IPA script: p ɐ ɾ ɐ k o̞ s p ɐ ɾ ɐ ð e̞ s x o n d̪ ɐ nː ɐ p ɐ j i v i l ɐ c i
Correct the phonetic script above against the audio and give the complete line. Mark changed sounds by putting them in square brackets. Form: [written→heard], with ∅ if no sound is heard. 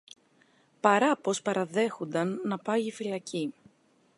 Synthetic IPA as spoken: p ɐ ɾ ɐ [k→p] o̞ s p ɐ ɾ ɐ ð e̞ [s→∅] x o n d̪ ɐ nː ɐ p ɐ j i [v→f] i l ɐ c i